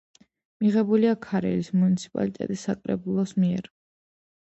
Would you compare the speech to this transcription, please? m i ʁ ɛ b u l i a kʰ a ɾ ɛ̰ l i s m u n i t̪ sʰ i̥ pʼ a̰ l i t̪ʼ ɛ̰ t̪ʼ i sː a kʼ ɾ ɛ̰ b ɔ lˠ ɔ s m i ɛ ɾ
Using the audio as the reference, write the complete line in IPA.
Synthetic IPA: m i ʁ ɛ b u l i a kʰ a ɾ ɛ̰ l i s m u n i t̪ sʰ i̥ pʼ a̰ l i t̪ʼ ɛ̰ t̪ʼ i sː a kʼ ɾ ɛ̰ b u lˠ ɔ s m i ɛ ɾ